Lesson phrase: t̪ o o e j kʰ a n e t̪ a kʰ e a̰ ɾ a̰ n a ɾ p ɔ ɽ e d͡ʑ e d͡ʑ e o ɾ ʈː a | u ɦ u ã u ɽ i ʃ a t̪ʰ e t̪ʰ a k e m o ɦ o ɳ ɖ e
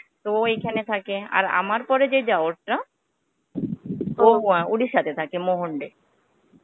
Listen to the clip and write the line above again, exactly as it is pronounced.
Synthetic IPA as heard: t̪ o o e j kʰ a n e t̪ʰ a k e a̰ ɾ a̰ m a ɾ p ɔ ɾ e d͡ʑ e d͡ʑ a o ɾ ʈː a | o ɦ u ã u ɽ i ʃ a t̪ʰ e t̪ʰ a k e m o ɦ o ɳ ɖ e